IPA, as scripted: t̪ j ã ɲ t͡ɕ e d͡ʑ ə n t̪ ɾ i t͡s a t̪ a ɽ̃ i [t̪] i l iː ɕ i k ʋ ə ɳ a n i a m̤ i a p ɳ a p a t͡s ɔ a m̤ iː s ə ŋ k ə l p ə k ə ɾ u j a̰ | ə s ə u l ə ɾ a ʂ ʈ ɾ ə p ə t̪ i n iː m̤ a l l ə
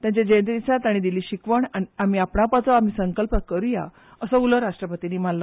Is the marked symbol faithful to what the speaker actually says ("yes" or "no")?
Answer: no